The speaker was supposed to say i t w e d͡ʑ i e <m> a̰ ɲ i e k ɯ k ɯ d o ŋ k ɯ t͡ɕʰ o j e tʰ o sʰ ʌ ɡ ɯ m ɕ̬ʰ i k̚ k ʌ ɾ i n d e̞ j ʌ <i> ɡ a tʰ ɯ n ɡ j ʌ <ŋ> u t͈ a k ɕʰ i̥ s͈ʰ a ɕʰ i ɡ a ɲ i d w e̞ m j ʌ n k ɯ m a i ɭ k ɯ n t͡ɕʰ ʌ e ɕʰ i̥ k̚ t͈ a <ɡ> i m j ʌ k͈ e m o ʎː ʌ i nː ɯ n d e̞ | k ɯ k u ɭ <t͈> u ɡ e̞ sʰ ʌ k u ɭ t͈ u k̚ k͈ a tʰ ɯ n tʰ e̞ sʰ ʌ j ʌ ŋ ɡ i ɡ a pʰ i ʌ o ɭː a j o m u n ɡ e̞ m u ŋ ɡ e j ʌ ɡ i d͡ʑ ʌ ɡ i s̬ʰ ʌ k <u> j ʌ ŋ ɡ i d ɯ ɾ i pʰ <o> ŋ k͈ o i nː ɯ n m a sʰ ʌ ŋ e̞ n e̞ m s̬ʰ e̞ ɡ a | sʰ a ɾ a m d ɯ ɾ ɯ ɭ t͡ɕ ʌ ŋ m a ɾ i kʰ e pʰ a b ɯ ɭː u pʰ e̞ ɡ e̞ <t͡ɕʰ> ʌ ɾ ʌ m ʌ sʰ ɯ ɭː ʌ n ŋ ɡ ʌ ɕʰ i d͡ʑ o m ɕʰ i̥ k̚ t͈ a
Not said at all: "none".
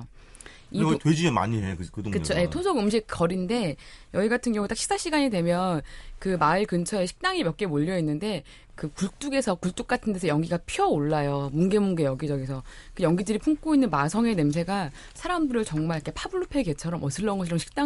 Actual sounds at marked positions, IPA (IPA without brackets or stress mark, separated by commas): m, i, ŋ, ŋ, t͈, ɯ, u, t͡ɕʰ